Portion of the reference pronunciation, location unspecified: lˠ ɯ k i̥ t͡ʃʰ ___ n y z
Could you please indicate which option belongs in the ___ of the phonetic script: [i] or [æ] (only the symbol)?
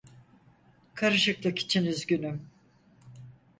i